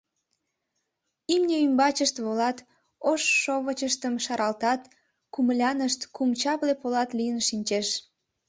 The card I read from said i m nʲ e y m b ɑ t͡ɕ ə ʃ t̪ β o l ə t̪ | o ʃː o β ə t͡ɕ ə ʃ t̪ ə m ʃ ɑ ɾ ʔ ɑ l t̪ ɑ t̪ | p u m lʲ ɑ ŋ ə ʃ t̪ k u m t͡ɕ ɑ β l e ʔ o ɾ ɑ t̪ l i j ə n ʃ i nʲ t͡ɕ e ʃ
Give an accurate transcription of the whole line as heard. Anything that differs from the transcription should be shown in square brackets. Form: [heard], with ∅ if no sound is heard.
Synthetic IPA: i m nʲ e y m b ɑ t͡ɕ ə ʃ t̪ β o l [ɑ] t̪ | o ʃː o β ə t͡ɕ ə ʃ t̪ ə m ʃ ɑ ɾ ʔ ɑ l t̪ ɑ t̪ | [k] u m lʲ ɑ [n] ə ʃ t̪ k u m t͡ɕ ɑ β l e [p] o [l] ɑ t̪ l i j ə n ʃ i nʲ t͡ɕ e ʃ